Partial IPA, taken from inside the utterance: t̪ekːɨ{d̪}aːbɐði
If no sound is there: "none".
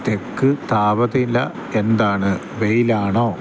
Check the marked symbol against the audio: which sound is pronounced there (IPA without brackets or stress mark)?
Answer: t̪